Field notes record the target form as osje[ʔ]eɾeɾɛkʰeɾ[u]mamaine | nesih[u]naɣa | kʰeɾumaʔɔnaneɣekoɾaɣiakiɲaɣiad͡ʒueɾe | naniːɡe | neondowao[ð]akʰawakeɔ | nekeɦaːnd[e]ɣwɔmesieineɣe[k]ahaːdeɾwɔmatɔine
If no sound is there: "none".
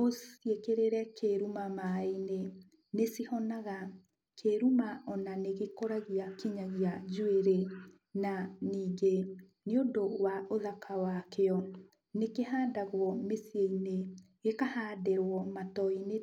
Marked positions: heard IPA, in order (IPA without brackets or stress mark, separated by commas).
k, u, ɔ, ð, a, k